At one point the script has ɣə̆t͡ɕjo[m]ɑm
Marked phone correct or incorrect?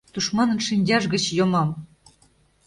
correct